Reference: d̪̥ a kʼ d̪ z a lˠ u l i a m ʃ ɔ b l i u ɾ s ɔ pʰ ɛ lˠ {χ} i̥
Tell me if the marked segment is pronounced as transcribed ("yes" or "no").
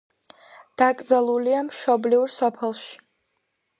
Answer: no